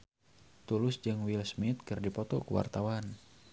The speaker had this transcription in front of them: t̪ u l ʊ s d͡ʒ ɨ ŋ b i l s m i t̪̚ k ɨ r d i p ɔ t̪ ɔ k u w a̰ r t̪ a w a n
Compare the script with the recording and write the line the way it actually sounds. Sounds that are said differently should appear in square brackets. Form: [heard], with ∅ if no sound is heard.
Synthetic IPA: t̪ u l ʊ s d͡ʒ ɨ ŋ [w] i l s m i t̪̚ k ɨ r d i p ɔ t̪ ɔ k u w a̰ r t̪ a w a n